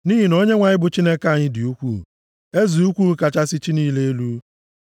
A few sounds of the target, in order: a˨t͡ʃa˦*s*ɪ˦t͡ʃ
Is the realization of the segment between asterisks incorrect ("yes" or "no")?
no